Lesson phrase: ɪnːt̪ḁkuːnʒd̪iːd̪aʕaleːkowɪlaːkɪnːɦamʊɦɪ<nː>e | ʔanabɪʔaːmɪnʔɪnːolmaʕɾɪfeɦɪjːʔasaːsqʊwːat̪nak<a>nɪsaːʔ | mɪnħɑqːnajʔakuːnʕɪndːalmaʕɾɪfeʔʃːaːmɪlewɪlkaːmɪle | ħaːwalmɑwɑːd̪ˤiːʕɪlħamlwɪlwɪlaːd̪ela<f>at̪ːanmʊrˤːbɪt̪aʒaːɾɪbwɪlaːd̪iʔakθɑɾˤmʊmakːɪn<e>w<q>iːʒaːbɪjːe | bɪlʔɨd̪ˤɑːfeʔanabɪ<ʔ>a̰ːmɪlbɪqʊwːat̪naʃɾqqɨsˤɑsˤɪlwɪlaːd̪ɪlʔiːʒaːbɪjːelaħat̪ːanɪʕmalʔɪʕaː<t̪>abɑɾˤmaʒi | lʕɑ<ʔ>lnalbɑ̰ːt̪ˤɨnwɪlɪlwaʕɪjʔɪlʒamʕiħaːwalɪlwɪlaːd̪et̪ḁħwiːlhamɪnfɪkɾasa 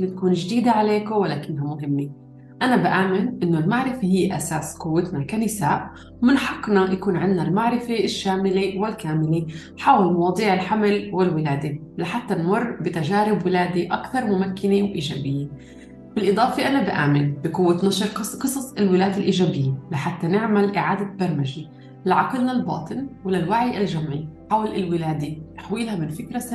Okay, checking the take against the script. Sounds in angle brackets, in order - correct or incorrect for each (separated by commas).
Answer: incorrect, correct, incorrect, correct, incorrect, correct, incorrect, incorrect